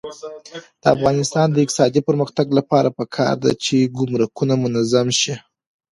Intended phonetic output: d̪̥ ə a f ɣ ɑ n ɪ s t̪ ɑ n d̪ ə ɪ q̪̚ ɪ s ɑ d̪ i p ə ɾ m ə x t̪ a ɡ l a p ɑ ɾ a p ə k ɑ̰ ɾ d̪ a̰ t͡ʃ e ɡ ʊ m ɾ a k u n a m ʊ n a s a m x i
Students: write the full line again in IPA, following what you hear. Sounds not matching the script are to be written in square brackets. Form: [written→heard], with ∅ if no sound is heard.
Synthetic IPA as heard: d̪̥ ə a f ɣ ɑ n ɪ s t̪ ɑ n d̪ ə ɪ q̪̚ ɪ s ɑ d̪ i p ə ɾ m ə x t̪ a ɡ l a p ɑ ɾ a p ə [k→kʰ] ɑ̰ ɾ d̪ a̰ t͡ʃ e ɡ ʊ m ɾ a k u n a m ʊ n a [s→z] a m [x→ʃ] i